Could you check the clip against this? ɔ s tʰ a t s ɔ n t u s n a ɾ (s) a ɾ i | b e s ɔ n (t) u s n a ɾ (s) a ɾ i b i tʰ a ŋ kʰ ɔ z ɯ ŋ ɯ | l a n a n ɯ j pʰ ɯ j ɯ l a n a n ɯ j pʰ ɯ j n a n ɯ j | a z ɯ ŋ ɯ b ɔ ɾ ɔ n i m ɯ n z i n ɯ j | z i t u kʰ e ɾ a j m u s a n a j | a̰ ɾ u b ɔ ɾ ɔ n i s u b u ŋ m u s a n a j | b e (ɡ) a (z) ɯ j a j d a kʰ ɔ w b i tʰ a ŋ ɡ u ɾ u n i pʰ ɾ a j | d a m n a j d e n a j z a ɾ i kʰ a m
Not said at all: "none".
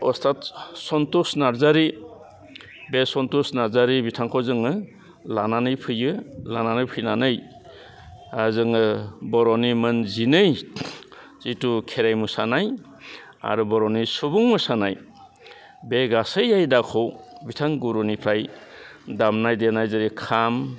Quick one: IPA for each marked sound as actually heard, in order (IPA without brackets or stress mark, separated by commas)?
z, t, z, ɡ, s